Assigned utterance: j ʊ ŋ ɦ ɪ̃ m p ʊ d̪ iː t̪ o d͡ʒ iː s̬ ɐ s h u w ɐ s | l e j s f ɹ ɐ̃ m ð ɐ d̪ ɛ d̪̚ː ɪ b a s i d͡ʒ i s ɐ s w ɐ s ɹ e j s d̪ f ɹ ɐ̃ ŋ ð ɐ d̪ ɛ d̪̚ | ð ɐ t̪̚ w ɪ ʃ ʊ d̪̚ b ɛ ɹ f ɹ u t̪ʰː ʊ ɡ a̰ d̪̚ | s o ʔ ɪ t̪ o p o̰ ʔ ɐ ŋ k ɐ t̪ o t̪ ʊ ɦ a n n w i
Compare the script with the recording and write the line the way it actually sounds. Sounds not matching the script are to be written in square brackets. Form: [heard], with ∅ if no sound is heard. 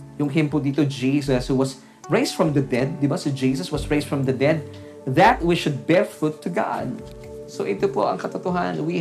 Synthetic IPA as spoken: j ʊ ŋ ɦ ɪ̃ m p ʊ d̪ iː t̪ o d͡ʒ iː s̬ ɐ s h u w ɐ s | [ɹ] e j s f ɹ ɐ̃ m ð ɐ d̪ ɛ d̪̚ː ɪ b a s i d͡ʒ i s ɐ s w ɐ s ɹ e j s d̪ f ɹ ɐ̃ [m] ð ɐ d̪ ɛ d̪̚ | ð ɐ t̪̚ w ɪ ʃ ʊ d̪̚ b ɛ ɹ f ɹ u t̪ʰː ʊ ɡ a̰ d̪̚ | s o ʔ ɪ t̪ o p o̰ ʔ ɐ ŋ k ɐ t̪ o t̪ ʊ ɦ a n n w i